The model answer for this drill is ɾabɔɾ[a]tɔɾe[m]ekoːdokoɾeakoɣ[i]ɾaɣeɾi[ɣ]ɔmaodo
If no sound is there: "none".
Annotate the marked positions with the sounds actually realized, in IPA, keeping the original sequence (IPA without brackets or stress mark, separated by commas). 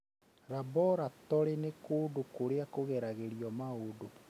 a, n, ɛ, none